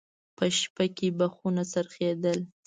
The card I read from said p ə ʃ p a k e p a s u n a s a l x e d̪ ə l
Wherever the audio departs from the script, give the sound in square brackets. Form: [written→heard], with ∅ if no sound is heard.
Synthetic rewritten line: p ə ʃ p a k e [p→b] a [s→x] u n a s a [l→ɾ] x e d̪ ə l